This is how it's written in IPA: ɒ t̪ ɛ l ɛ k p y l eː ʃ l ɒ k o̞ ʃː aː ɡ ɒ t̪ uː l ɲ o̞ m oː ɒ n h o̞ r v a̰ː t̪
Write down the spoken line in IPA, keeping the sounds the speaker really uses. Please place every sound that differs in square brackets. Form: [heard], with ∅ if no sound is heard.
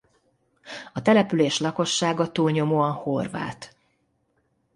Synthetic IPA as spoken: ɒ t̪ ɛ l ɛ [∅] p y l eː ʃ l ɒ k o̞ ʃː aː ɡ ɒ t̪ uː l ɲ o̞ m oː ɒ n h o̞ r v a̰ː t̪